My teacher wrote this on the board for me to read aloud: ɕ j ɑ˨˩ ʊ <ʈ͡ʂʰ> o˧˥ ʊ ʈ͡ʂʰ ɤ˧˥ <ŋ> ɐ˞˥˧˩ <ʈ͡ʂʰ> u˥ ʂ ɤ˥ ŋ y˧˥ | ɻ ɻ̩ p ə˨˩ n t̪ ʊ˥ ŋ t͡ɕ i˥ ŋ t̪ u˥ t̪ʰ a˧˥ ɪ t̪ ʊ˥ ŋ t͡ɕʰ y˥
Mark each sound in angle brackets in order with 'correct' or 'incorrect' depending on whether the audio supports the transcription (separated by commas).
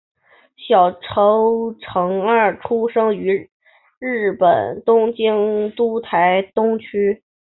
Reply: correct, correct, correct